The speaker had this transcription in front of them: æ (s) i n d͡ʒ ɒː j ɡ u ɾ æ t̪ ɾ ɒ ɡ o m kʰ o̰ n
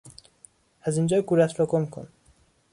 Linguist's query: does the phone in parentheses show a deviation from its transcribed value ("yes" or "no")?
yes